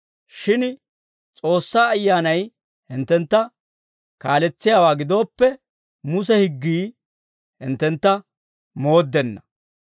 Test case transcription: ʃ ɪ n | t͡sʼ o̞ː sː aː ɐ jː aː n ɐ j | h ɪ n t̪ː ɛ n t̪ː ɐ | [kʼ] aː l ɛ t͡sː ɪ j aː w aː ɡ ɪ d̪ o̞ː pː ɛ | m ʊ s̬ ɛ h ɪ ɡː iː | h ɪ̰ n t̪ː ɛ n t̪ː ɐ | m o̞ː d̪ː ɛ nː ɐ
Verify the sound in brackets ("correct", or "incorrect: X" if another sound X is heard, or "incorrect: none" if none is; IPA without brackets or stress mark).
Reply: incorrect: k